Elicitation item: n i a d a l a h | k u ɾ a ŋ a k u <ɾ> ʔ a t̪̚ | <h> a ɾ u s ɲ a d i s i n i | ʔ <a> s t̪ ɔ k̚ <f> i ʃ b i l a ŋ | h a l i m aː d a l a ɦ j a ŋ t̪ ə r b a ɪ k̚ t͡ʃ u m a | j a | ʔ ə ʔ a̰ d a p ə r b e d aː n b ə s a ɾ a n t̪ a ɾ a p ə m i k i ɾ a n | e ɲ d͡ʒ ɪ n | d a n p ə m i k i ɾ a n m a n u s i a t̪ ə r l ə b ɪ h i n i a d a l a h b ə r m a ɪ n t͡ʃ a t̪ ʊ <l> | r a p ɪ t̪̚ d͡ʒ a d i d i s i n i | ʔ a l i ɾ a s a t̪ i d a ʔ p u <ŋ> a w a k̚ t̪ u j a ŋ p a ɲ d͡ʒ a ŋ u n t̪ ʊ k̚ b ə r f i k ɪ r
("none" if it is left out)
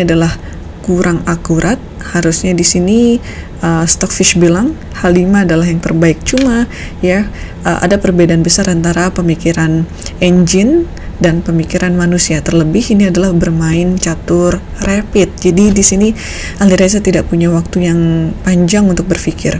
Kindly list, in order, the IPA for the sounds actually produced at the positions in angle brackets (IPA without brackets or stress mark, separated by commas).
ɾ, h, ə, f, r, ɲ